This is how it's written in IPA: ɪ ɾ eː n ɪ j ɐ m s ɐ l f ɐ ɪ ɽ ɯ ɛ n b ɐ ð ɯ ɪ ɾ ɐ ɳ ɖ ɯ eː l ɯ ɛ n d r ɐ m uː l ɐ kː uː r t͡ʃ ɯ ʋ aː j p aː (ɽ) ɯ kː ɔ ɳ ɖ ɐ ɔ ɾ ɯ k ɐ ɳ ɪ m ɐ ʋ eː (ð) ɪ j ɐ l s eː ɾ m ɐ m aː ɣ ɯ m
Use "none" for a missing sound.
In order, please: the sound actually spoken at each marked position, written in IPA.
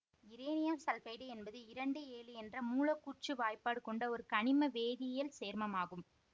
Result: ɽ, ð

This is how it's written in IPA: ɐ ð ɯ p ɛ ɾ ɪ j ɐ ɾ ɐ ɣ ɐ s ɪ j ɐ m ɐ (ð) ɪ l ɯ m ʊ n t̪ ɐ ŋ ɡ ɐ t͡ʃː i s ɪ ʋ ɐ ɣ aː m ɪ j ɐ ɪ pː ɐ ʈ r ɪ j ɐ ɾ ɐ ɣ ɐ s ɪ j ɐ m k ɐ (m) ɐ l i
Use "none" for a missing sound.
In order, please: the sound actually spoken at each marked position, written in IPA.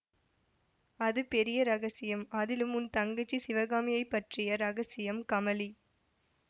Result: ð, m

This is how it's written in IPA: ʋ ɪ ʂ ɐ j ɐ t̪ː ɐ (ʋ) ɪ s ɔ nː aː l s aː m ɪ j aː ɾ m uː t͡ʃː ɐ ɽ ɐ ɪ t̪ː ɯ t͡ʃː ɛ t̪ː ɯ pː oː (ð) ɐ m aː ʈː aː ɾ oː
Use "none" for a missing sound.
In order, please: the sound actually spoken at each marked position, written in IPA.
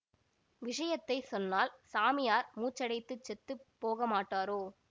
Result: none, ɣ

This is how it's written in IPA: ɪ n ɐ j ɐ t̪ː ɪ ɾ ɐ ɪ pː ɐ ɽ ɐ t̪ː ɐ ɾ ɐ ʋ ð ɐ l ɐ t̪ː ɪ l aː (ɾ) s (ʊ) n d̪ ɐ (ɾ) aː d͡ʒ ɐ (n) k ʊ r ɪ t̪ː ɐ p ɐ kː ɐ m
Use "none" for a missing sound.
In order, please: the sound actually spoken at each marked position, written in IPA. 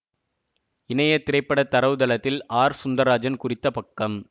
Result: ɾ, ʊ, ɾ, n

